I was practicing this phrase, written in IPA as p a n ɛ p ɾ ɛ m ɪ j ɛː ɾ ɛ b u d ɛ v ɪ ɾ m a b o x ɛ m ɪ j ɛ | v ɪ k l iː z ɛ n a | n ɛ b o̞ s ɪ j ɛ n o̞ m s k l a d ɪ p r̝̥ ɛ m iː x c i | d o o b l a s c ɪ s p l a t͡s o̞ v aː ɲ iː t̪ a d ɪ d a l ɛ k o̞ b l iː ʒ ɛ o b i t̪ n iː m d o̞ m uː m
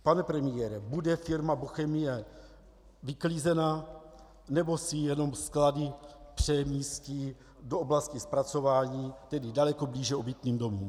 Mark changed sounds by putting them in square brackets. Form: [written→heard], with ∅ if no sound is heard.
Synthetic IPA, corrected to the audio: p a n ɛ p ɾ ɛ m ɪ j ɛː ɾ ɛ b u d ɛ [v→f] ɪ ɾ m a b o x ɛ m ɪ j ɛ | v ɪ k l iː z ɛ n a | n ɛ b o̞ s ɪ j ɛ n o̞ m s k l a d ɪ p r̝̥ ɛ m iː [x→s] c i | d o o b l a s c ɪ s p [l→ɾ] a t͡s o̞ v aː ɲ iː t̪ [a→ɛ] d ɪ d a l ɛ k o̞ b l iː ʒ ɛ o b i t̪ n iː m d o̞ m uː m